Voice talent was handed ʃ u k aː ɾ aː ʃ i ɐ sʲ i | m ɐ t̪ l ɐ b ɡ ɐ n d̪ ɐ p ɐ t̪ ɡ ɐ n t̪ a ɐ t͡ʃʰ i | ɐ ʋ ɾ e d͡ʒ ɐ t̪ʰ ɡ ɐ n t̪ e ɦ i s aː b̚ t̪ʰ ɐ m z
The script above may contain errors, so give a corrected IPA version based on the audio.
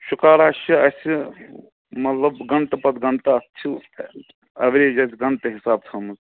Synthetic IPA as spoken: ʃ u k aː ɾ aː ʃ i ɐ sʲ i | m ɐ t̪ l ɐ b ɡ ɐ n t̪ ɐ p ɐ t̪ ɡ ɐ n t̪ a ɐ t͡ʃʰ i | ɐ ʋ ɾ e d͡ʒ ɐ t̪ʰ ɡ ɐ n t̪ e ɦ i s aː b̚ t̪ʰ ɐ m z